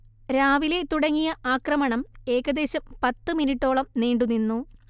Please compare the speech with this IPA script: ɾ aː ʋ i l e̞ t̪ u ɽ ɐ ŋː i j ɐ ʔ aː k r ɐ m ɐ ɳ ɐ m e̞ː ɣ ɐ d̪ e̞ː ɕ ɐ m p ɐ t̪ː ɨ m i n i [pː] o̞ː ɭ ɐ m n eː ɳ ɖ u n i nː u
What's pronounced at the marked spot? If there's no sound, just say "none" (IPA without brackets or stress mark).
ʈː